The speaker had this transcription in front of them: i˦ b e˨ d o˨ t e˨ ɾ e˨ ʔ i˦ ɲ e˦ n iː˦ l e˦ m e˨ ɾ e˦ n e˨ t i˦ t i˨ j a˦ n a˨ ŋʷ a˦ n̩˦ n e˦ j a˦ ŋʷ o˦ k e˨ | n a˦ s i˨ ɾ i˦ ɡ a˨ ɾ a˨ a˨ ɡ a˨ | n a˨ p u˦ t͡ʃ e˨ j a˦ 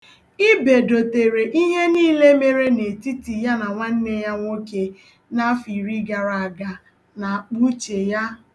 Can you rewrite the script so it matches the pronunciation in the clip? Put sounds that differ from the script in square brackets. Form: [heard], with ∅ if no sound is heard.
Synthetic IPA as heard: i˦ b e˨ d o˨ t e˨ ɾ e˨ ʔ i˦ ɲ e˦ n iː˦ l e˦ m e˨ ɾ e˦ n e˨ t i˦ t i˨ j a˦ n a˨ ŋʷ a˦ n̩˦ n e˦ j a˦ ŋʷ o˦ k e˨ | n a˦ [f] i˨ ɾ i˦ ɡ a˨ ɾ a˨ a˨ ɡ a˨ | n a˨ [k͡p] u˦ t͡ʃ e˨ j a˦